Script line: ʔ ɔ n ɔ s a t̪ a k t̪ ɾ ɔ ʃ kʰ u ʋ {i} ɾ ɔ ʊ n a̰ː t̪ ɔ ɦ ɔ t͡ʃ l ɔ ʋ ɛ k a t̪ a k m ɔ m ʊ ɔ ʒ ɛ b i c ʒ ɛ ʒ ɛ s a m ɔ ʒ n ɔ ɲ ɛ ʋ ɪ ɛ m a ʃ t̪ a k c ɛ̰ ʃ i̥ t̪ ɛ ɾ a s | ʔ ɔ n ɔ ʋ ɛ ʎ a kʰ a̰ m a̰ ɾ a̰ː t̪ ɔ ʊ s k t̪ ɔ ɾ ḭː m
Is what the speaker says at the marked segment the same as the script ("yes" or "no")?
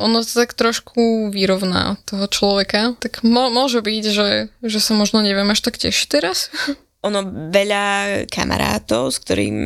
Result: yes